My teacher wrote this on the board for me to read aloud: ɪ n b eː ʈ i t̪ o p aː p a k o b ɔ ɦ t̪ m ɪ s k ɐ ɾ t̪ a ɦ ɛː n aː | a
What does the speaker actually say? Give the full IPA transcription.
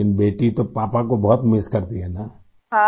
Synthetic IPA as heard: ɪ n b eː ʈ i t̪ o p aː p a k o b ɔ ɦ t̪ m ɪ s k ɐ ɾ t̪ i ɦ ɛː n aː | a